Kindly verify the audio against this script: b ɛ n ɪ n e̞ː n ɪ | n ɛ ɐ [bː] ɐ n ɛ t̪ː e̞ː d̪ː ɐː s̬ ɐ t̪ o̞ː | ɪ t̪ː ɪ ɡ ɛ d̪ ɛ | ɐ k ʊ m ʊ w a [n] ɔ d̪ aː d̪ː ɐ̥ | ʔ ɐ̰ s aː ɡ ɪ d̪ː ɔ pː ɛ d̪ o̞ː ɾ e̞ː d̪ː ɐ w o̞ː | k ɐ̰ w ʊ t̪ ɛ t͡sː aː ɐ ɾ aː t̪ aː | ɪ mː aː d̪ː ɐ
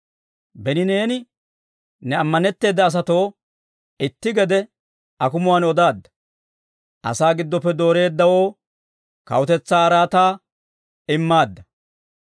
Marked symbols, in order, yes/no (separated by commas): no, yes